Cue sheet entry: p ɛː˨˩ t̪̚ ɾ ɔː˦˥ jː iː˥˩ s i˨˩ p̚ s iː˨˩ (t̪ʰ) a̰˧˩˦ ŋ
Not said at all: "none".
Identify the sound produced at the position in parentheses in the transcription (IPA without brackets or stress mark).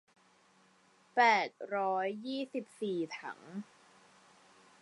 t̪ʰ